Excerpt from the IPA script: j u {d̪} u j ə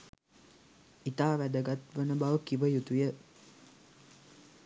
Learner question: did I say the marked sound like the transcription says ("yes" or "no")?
no